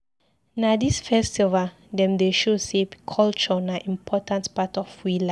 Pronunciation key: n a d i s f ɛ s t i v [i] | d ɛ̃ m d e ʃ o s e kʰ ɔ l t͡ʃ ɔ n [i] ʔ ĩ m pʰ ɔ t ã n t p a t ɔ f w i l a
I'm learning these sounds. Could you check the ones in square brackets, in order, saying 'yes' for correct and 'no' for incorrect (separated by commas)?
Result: no, no